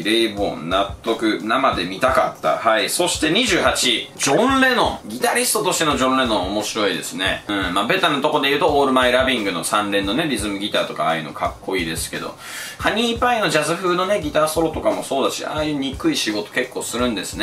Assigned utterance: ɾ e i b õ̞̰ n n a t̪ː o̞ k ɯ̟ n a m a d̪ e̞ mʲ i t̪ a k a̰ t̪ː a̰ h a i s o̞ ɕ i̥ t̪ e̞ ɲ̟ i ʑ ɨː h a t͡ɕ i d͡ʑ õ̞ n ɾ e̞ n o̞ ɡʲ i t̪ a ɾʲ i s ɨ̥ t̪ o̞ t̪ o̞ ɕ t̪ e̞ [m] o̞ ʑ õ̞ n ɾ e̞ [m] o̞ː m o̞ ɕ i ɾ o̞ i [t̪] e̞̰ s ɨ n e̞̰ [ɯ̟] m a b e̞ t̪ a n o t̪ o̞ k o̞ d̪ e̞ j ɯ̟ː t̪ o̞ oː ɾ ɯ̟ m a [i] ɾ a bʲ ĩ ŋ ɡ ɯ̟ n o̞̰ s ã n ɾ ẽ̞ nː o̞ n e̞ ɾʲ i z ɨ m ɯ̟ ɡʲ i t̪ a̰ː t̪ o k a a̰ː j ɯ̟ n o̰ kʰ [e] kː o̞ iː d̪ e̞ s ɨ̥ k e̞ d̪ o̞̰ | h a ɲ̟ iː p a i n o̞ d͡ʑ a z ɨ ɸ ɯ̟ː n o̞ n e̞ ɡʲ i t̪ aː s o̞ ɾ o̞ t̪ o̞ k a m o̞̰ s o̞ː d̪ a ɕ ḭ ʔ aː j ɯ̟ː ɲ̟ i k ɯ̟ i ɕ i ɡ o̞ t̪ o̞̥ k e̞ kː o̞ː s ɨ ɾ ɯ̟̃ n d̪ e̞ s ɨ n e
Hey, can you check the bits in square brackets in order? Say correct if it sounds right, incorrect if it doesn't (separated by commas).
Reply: incorrect, incorrect, incorrect, incorrect, correct, incorrect